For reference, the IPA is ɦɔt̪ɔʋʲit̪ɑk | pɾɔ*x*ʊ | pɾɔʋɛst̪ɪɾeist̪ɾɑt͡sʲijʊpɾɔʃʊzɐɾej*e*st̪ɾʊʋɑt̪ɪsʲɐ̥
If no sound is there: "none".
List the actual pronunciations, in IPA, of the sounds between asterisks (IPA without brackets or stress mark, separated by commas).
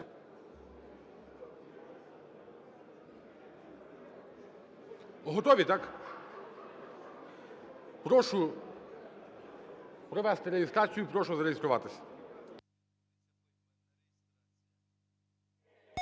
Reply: ʃ, i